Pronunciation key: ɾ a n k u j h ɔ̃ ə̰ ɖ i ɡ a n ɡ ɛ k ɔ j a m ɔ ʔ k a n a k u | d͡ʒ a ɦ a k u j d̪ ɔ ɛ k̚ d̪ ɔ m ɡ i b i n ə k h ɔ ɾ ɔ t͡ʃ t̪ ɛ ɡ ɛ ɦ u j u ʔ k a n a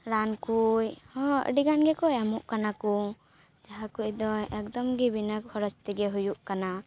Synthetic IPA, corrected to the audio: ɾ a n k u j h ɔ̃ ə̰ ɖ i ɡ a n ɡ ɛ k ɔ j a m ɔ ʔ k a n a k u | d͡ʒ a ɦ a k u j d̪ ɔ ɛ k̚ d̪ ɔ m ɡ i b i n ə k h ɔ ɾ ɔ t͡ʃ t̪ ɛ ɡ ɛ ɦ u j u ʔ k a n a